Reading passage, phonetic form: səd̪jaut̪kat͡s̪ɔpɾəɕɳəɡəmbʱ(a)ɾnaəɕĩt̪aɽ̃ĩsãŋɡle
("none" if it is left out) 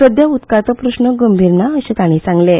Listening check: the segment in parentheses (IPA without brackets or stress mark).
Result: i